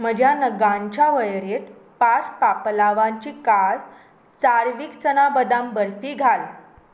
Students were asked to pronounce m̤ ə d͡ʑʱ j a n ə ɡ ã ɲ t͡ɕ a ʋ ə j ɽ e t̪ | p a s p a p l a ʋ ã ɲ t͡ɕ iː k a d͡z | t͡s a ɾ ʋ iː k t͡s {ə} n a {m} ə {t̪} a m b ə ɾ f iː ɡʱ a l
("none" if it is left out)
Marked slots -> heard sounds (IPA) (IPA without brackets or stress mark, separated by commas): ə, b, d̪